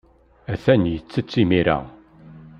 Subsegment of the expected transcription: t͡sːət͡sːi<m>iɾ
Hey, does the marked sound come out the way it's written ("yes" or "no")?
yes